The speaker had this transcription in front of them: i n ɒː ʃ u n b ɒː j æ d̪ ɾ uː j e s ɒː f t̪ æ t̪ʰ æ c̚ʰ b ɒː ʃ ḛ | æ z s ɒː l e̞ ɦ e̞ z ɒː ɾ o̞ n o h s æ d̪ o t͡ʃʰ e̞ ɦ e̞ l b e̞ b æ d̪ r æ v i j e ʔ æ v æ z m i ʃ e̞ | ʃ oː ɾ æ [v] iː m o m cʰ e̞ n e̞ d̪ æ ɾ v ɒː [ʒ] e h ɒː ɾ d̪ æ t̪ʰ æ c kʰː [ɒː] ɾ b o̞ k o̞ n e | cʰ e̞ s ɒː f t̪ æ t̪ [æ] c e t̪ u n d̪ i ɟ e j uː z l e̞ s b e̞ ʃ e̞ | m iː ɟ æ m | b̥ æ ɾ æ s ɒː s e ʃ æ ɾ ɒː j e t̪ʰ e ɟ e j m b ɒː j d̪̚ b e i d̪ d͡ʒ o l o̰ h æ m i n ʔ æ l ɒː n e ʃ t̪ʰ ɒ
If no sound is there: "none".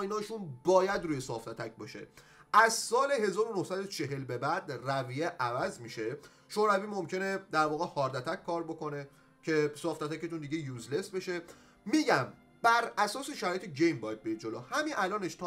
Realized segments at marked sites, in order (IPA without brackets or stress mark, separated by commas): v, ɣ, ɒː, æ